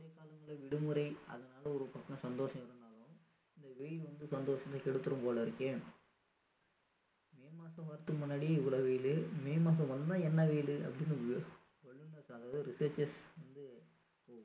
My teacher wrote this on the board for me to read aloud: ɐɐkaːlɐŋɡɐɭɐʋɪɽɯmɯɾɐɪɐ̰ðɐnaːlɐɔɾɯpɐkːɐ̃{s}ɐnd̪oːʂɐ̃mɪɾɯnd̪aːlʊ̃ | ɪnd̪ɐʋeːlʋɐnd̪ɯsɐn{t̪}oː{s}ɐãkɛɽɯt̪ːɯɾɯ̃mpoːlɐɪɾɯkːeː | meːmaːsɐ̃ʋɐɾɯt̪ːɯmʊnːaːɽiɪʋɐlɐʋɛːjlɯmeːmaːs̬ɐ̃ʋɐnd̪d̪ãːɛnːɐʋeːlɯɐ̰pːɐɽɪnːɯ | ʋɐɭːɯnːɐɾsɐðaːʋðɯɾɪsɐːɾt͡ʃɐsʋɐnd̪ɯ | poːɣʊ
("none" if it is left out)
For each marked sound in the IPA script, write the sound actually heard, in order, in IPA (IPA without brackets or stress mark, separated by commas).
s, d̪, ʂ